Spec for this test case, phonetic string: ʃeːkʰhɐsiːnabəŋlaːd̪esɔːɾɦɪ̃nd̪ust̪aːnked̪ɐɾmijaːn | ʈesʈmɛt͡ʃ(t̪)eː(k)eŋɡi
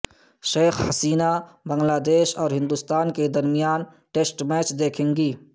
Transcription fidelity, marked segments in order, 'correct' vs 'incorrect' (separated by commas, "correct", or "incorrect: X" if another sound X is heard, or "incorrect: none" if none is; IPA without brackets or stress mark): incorrect: d̪, incorrect: kʰ